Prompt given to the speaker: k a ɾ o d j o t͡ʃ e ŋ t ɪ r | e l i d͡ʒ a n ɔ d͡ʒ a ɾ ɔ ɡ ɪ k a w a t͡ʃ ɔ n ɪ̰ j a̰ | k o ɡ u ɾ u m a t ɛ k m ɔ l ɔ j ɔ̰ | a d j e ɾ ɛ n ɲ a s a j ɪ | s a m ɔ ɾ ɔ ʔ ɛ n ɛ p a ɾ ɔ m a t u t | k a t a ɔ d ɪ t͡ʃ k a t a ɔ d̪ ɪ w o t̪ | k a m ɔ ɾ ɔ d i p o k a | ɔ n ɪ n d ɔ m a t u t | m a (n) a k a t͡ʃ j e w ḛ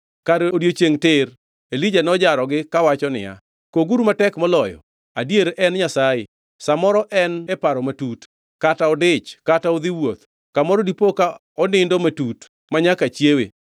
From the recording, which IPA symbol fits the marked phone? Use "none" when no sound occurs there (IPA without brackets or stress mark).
ɲ